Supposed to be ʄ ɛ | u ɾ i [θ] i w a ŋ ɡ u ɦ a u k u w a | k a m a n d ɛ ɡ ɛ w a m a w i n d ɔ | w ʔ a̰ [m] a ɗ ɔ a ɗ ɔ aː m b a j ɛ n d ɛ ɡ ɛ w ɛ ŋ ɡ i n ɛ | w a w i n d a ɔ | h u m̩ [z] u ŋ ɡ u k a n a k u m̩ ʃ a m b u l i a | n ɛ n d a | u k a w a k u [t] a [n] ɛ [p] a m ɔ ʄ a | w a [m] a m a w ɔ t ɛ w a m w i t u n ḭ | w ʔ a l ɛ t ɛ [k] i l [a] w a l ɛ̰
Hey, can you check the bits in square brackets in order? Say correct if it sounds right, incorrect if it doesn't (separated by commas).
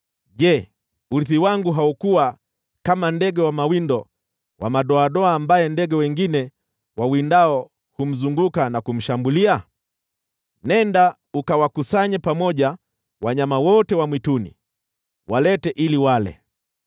correct, correct, correct, incorrect, incorrect, correct, incorrect, incorrect, incorrect